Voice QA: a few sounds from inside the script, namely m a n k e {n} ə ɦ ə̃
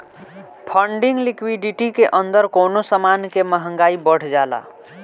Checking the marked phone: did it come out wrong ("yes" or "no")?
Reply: yes